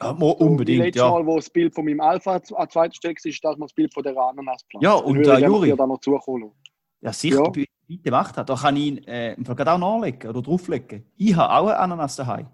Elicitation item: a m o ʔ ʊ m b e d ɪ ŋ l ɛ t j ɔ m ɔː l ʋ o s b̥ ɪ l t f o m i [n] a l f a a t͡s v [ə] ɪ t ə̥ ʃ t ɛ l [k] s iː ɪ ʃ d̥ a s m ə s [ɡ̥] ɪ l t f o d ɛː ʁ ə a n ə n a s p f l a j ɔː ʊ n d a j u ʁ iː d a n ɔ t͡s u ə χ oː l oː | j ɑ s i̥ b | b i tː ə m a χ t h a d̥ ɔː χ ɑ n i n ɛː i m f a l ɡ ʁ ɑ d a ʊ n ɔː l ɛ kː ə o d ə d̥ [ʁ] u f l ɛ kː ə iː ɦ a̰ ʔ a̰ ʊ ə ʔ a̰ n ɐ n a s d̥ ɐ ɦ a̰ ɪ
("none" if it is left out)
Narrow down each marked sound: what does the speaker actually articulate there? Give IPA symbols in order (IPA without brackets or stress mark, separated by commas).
m, a, k, b̥, ʁ